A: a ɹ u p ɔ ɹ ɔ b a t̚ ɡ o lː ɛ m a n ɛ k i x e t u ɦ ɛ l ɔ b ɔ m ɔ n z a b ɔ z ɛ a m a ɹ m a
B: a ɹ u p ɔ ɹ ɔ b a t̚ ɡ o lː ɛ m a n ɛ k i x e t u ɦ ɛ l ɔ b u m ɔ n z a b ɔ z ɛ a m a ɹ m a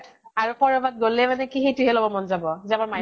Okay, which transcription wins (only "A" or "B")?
A